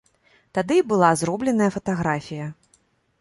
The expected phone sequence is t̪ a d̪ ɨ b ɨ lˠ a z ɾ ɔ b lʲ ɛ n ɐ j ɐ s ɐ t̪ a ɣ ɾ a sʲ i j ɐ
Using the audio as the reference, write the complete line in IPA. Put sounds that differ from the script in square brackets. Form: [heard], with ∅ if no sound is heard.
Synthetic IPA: t̪ a d̪ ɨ b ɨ lˠ a z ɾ ɔ b lʲ ɛ n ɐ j ɐ [f] ɐ t̪ a ɣ ɾ a [fʲ] i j ɐ